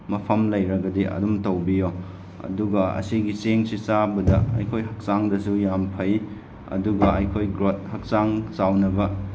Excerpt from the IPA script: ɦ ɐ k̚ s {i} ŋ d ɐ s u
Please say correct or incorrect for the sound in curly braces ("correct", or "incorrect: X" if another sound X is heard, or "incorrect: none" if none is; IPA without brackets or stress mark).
incorrect: a